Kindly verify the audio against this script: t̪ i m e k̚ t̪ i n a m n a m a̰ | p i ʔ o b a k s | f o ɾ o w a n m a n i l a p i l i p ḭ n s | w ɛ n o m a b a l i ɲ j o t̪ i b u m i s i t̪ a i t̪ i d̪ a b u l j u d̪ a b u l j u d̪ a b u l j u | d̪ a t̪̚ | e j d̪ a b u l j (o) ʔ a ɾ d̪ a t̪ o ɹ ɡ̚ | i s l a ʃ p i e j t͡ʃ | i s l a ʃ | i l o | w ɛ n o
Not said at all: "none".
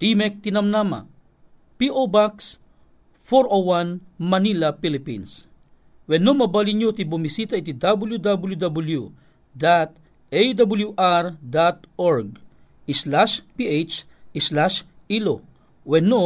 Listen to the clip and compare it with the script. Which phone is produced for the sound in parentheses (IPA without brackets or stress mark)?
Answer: u